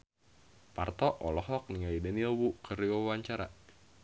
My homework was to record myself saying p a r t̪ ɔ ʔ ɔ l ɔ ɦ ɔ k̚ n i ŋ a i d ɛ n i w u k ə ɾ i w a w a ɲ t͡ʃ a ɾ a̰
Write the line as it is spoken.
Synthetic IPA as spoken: p a r t̪ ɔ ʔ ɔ l ɔ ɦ ɔ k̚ n i ŋ a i d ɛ n i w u k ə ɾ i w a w a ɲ t͡ʃ a ɾ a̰